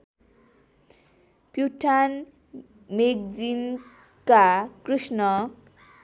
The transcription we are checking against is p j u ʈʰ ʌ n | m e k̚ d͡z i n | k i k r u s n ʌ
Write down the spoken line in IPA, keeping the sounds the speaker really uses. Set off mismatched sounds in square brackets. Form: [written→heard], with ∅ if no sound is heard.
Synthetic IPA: p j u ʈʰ [ʌ→a] n | m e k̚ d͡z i n | k [i→a] k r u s n ʌ